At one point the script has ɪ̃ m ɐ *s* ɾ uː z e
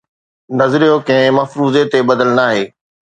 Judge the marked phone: incorrect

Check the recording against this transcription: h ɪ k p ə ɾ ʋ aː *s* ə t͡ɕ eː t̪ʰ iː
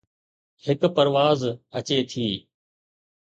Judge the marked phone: incorrect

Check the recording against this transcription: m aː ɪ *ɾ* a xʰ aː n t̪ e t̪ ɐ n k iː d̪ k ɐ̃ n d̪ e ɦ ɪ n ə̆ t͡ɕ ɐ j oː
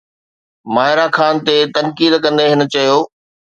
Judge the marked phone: correct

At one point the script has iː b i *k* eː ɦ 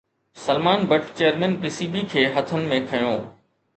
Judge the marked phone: incorrect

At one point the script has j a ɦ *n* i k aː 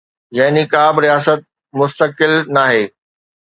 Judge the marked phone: correct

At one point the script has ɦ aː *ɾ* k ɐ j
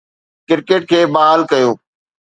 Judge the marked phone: incorrect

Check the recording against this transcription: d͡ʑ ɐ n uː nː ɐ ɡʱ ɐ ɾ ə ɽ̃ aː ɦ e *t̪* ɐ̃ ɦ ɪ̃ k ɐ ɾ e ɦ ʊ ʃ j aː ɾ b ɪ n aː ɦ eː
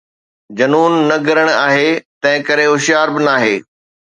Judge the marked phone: correct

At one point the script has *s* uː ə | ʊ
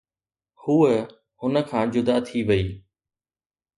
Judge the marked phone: incorrect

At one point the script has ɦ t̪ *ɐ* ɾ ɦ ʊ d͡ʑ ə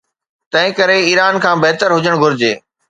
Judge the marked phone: incorrect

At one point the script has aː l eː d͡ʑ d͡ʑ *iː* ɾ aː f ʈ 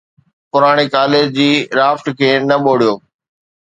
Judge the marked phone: correct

